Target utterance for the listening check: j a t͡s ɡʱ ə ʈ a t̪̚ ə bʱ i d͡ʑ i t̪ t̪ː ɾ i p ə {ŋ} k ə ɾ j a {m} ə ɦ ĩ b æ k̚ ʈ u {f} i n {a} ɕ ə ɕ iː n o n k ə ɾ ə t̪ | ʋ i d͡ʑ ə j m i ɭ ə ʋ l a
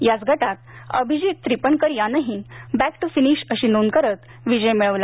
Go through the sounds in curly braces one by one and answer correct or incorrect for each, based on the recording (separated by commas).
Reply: incorrect, incorrect, correct, incorrect